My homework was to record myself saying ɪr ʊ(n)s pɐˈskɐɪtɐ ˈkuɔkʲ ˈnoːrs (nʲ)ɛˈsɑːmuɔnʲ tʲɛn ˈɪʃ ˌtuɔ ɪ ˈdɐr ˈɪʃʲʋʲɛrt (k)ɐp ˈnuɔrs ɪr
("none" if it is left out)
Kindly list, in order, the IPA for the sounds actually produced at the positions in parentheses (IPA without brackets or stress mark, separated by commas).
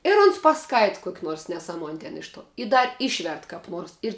n, nʲ, k